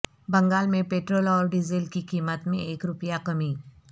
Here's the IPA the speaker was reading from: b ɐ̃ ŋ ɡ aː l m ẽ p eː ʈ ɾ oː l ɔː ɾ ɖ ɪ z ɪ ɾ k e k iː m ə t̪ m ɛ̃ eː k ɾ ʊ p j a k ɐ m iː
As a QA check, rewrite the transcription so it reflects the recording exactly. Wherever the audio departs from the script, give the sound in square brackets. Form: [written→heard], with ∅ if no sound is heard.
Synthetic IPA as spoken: b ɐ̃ ŋ ɡ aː l m ẽ p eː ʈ ɾ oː l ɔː ɾ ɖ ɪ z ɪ [ɾ→l] k [e→i] k iː m ə t̪ m [ɛ̃→ẽ] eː k ɾ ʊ p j a k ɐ m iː